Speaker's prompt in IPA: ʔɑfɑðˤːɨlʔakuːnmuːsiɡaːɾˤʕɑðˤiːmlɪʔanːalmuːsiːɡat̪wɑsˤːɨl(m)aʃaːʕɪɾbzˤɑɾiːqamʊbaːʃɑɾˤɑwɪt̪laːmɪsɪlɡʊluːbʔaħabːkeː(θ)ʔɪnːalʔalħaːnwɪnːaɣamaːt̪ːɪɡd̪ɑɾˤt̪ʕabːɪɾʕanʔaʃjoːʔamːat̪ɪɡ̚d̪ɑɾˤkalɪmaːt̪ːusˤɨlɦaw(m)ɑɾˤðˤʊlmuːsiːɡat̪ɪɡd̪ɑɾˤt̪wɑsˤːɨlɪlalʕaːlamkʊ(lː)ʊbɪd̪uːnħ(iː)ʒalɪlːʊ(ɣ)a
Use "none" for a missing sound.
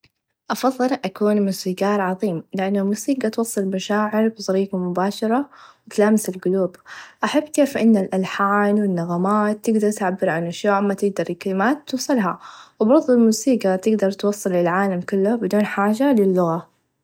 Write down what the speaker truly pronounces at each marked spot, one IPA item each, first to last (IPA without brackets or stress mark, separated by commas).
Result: m, f, b, lː, aː, ɣ